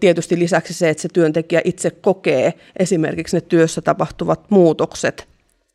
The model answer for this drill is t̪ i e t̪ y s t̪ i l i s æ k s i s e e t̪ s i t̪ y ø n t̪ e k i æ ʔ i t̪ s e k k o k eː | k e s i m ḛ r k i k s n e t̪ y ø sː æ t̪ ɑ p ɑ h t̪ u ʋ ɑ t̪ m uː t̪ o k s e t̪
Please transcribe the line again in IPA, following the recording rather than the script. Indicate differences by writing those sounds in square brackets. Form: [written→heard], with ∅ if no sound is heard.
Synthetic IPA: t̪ i e t̪ y s t̪ i l i s æ k s i s e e t̪ s [i→e] t̪ y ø n t̪ e k i æ ʔ i t̪ s e k k o k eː | [k→ʔ] e s i m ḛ r k i k s n e t̪ y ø sː æ t̪ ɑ p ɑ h t̪ u ʋ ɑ t̪ m uː t̪ o k s e t̪